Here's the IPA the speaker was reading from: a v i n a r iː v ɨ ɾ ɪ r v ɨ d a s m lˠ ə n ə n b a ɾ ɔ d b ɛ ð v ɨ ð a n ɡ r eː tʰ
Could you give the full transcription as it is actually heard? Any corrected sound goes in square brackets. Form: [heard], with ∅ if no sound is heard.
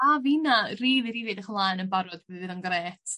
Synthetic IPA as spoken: a v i n a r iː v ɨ ɾ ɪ [∅] v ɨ d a [χ] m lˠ [a] n ə n b a ɾ ɔ d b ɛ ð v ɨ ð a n ɡ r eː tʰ